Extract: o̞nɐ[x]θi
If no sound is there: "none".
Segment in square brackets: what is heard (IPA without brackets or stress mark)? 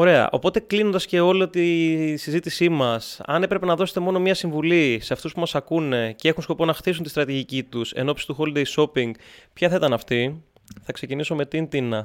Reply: x